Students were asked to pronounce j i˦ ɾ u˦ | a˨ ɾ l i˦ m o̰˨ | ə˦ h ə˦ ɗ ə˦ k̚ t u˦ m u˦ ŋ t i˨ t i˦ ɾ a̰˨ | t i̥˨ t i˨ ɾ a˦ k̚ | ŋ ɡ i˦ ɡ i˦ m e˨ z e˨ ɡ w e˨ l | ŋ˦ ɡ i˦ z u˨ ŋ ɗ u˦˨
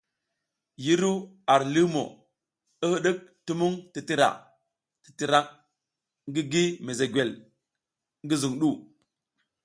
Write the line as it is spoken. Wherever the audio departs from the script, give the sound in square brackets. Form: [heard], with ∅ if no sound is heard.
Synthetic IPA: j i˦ ɾ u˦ | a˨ ɾ l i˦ m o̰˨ | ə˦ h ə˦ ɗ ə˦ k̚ t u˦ m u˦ ŋ t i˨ t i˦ ɾ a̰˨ | t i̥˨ t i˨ ɾ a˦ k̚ | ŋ ɡ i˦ ɡ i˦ m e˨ z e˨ ɡ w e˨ l | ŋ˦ ɡ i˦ z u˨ ŋ ɗ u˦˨